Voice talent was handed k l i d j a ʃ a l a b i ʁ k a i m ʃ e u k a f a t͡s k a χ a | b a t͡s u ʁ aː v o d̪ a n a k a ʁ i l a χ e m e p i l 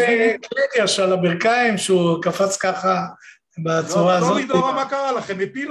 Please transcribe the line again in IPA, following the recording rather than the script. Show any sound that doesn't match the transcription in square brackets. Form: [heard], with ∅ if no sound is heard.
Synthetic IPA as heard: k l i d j a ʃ a l a b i ʁ k a i m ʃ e u k a f a t͡s k a χ a | b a t͡s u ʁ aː [z] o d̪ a [m] a k a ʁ [a] l a χ e m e p i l